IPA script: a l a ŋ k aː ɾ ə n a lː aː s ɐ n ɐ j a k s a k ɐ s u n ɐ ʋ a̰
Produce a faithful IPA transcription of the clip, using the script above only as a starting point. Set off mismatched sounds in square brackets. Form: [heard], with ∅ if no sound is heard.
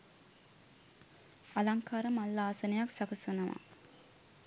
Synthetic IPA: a l a ŋ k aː ɾ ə [m] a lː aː s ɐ n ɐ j a k s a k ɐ s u n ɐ ʋ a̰